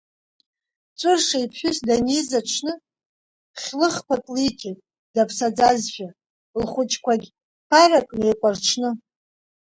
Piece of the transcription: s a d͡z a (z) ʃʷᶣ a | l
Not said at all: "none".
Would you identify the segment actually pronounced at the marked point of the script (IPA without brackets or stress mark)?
z